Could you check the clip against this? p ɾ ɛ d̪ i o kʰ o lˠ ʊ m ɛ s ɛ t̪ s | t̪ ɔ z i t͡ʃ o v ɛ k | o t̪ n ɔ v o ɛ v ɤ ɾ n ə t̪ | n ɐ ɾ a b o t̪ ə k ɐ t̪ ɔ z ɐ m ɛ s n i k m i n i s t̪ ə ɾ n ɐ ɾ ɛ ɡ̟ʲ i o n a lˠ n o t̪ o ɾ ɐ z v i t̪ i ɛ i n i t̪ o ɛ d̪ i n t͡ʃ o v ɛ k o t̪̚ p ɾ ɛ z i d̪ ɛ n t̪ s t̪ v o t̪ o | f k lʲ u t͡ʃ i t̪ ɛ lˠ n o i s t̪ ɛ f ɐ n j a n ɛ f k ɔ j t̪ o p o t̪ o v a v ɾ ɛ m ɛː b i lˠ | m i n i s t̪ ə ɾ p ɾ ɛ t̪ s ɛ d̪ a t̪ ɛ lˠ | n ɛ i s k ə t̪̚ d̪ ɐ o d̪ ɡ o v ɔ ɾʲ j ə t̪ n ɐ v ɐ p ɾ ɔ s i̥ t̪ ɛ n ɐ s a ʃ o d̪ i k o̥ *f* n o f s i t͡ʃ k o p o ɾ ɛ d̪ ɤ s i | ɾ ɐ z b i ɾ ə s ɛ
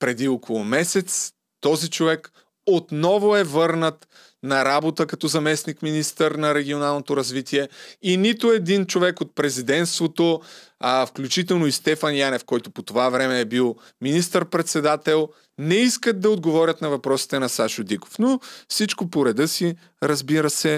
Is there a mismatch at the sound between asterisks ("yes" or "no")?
no